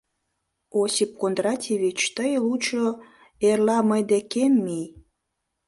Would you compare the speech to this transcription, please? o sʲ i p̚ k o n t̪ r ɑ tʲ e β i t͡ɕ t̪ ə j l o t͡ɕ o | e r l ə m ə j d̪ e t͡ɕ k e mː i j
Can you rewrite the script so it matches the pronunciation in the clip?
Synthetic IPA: o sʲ i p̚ k o n d̪ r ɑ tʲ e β i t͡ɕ t̪ ə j l u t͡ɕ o | e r l ɑ m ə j d̪ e k e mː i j

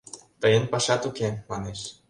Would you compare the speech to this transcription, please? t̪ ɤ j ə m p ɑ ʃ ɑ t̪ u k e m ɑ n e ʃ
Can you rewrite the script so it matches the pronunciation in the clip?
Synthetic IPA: t̪ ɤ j ə n p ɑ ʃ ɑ t̪ u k e m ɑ n e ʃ

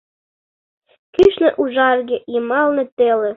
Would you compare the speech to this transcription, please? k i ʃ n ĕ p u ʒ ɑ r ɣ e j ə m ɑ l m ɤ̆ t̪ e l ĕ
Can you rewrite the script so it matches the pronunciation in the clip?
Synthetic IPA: k y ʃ n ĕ ʔ u ʒ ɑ r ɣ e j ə m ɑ l n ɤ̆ t̪ e l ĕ

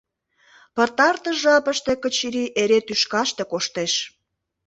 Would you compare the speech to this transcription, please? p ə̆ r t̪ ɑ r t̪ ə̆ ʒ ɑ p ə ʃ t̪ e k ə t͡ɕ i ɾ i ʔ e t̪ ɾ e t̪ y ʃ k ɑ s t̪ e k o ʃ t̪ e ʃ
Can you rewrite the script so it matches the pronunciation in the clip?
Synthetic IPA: p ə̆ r t̪ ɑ r t̪ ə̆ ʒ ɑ p ə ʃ t̪ e k ə t͡ɕ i ɾ i ʔ e ɾ e t̪ y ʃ k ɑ ʃ t̪ e k o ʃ t̪ e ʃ

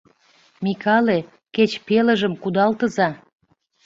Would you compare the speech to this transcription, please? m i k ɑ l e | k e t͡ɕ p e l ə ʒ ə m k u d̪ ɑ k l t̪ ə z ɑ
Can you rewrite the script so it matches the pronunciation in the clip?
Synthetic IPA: m i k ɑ l e | k e t͡ɕ p e l ə ʒ ə m k u d̪ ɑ l t̪ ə z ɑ

